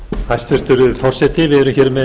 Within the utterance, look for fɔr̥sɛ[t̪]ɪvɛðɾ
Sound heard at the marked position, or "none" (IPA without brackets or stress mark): t̪